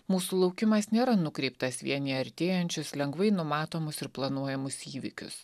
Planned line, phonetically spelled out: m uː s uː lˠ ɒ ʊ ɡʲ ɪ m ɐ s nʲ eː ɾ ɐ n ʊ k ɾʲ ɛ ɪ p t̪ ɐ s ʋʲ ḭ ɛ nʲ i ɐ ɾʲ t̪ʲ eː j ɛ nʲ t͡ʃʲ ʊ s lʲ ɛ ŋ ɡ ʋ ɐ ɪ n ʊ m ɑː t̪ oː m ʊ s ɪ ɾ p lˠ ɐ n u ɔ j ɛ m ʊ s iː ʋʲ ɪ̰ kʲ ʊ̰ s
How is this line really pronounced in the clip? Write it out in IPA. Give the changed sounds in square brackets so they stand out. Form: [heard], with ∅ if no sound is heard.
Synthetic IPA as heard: m uː s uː lˠ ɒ ʊ [kʲ] ɪ m ɐ s nʲ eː ɾ ɐ n ʊ k ɾʲ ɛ ɪ p t̪ ɐ s ʋʲ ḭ ɛ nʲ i ɐ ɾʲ t̪ʲ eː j ɛ nʲ t͡ʃʲ ʊ s lʲ ɛ ŋ ɡ ʋ ɐ ɪ n ʊ m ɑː t̪ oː m ʊ s ɪ ɾ p lˠ ɐ n u ɔ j ɛ m ʊ s iː ʋʲ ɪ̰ kʲ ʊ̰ s